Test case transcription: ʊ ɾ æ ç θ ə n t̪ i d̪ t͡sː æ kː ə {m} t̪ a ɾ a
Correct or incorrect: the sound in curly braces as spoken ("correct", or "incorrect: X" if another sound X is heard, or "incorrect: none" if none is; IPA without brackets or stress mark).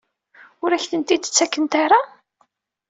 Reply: incorrect: n